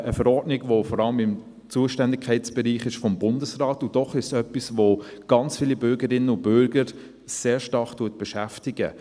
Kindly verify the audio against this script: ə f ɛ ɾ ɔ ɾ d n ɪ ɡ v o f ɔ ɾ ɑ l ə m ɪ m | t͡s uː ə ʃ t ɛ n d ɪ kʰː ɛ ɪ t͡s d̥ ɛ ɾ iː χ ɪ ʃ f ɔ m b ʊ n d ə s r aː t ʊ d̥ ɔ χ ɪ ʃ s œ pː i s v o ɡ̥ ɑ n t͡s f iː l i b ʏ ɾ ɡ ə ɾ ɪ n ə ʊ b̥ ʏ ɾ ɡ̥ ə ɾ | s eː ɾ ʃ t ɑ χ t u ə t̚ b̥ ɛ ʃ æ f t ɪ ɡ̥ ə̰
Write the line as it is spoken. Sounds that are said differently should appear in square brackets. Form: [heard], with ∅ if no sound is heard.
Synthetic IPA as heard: ə f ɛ ɾ ɔ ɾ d n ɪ ɡ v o f ɔ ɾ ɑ l ə m ɪ m | t͡s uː ə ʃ t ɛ n d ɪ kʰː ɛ ɪ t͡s [b̥] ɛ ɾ iː χ ɪ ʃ f ɔ m b ʊ n d ə s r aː t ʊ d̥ ɔ χ ɪ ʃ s œ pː i s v o ɡ̥ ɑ n t͡s f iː l i b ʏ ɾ ɡ ə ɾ ɪ n ə ʊ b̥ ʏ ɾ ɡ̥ ə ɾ | s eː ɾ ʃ t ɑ χ t u ə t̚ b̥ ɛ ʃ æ f t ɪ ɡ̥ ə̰